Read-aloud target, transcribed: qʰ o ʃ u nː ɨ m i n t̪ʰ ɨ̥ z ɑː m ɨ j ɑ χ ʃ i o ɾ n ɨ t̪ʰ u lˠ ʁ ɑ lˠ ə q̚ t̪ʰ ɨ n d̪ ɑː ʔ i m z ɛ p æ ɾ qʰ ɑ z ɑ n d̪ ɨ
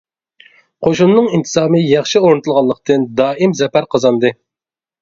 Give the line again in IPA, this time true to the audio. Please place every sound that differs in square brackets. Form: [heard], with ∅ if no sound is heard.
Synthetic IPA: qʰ o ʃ u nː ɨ [ŋ] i n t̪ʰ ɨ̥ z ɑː m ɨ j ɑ χ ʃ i o ɾ n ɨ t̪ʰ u lˠ ʁ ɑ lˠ ə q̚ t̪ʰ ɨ n d̪ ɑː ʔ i m z ɛ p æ ɾ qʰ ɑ z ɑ n d̪ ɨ